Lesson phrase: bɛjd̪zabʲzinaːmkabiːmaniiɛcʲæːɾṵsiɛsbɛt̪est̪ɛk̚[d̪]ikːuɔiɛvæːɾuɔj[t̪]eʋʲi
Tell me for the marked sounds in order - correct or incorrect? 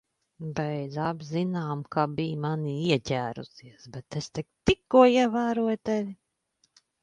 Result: incorrect, correct

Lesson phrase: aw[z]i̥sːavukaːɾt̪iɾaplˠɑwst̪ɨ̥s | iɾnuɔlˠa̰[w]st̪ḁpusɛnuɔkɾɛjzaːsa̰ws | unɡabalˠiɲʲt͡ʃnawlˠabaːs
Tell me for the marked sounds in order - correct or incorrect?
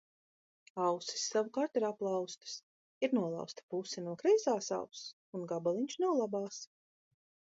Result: incorrect, correct

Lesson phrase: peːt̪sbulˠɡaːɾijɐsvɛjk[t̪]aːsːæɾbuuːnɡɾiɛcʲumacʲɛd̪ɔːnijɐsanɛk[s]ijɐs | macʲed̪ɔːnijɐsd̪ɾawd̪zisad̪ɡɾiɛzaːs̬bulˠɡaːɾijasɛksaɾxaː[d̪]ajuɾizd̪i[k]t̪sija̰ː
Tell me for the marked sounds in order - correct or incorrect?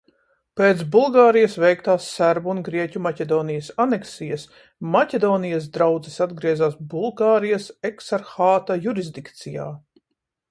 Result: correct, correct, incorrect, correct

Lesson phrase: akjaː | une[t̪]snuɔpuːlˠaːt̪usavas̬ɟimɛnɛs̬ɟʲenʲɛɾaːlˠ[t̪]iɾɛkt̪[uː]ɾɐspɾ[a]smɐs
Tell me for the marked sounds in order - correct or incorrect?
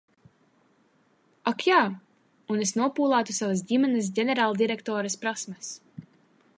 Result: incorrect, incorrect, incorrect, correct

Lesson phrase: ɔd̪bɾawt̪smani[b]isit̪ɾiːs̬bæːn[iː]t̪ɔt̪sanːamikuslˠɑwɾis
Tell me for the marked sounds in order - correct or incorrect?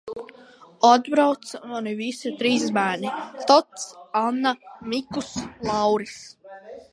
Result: incorrect, incorrect

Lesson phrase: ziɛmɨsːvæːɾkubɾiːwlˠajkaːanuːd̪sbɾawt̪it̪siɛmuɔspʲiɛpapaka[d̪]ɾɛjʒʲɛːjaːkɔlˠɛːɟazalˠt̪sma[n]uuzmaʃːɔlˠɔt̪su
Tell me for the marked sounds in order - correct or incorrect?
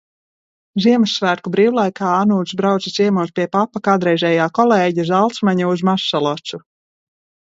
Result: correct, incorrect

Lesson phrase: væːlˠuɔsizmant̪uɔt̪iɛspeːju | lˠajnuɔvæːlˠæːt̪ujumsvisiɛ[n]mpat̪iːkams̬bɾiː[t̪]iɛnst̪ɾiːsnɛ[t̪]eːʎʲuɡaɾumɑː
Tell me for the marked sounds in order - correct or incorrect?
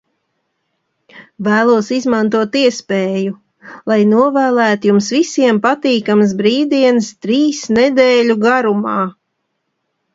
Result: incorrect, incorrect, incorrect

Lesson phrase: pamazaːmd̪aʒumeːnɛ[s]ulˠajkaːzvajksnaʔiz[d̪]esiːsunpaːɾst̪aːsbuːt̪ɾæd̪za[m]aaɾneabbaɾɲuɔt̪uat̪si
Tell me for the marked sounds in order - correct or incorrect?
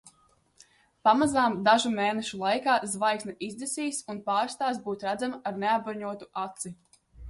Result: incorrect, correct, correct

